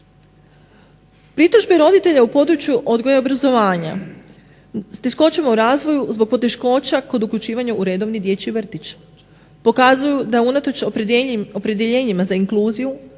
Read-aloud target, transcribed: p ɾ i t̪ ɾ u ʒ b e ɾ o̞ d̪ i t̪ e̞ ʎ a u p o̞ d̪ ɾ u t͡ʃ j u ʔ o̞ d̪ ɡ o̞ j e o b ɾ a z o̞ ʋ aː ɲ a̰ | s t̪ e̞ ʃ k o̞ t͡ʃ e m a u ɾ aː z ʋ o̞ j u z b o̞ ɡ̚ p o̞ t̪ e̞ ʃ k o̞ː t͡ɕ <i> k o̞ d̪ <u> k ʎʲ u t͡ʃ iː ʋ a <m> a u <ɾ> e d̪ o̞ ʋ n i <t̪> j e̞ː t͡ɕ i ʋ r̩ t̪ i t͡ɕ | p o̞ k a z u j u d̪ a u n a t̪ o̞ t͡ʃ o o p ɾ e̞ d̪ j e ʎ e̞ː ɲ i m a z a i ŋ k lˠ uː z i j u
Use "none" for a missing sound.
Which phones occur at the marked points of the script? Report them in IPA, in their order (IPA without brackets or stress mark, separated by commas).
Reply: a, u, ɲ, ɾ, d̪